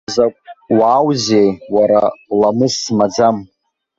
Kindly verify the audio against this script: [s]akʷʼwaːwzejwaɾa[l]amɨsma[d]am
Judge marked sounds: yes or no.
no, yes, no

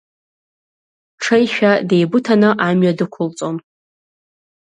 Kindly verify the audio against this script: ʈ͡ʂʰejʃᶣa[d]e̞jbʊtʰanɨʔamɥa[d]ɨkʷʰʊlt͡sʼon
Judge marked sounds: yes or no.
yes, yes

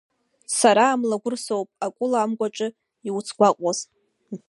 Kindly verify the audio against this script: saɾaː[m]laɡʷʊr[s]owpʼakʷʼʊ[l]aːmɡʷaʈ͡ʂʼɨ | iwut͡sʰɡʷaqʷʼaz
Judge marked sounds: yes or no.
yes, yes, yes

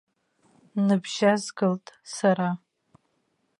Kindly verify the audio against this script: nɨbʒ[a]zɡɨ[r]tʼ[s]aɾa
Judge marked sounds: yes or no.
yes, no, yes

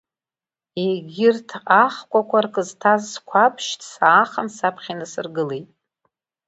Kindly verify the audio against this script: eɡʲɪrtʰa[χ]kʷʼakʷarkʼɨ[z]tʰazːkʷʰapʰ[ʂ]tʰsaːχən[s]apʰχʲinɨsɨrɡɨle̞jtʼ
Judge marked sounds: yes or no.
yes, yes, no, yes

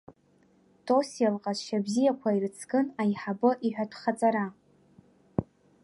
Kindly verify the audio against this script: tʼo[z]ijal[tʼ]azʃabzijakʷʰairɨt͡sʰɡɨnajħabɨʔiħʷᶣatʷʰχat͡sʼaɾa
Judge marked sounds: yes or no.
no, no

